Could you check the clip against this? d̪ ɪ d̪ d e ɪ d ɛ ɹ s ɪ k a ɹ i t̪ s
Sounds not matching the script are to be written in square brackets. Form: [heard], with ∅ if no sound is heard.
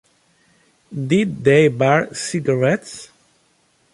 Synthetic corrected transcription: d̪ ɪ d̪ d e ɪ [b] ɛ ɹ s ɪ [ɡ] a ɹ [ɛ] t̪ s